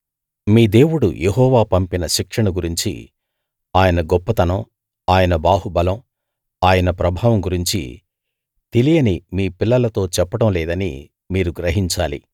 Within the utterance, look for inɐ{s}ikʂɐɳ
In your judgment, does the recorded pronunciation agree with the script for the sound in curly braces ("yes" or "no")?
no